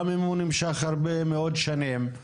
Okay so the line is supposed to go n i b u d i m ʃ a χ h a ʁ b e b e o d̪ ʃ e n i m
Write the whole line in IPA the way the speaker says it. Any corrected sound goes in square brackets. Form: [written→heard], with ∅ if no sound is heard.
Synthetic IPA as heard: [n→m] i [b→m] u [d→n] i m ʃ a χ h a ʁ b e [b→m] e o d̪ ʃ [e→a] n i m